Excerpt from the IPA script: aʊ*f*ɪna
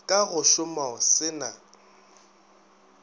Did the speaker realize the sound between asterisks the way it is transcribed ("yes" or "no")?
no